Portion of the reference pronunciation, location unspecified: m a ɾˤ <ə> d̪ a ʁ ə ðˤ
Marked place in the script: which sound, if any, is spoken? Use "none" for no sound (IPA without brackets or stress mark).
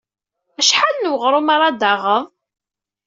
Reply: ɑ